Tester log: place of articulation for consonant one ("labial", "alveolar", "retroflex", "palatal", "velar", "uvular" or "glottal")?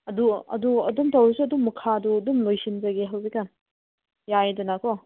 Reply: alveolar